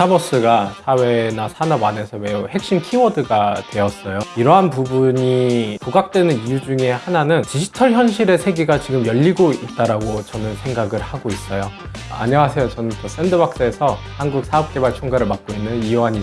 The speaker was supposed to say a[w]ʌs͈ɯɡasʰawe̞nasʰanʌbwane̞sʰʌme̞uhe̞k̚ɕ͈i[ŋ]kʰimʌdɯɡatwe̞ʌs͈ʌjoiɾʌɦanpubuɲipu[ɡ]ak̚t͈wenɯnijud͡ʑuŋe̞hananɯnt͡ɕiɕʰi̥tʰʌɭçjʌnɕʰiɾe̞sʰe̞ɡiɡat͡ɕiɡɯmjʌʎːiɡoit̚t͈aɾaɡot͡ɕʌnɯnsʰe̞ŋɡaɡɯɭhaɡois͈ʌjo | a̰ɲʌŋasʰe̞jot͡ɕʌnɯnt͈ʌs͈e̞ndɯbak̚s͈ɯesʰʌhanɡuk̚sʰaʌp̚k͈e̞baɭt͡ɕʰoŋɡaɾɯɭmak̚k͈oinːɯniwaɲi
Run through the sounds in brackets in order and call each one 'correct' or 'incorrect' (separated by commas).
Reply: incorrect, incorrect, correct